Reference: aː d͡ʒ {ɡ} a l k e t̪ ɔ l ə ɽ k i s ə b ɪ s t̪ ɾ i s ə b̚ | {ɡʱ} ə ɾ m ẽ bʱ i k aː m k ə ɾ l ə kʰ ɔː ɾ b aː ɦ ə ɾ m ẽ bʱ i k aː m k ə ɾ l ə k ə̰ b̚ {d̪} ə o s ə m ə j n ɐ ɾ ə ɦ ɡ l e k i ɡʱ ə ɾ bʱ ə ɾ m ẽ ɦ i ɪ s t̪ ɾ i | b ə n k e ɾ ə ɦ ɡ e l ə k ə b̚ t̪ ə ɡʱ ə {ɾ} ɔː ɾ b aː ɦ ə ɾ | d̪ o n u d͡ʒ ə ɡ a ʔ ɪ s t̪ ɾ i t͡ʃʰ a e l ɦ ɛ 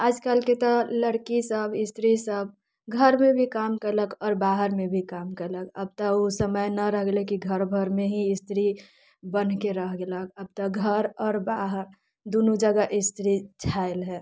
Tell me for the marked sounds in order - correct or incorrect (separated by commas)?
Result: incorrect, correct, incorrect, correct